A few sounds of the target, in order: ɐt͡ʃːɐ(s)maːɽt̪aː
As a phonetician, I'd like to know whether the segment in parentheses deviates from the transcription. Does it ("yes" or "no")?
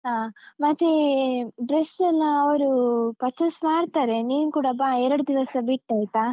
no